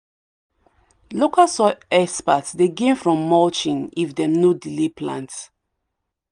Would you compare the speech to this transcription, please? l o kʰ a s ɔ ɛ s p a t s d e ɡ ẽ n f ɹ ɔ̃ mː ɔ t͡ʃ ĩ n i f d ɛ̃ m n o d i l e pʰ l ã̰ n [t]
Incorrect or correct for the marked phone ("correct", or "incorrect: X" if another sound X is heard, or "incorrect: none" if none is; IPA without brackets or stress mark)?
correct